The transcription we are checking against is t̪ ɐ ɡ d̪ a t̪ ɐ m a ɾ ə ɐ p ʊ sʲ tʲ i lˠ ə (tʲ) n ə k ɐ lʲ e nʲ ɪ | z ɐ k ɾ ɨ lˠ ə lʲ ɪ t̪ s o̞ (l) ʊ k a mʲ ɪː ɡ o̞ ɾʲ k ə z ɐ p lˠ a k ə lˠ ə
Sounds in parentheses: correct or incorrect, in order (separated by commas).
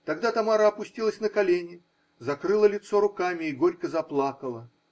incorrect, incorrect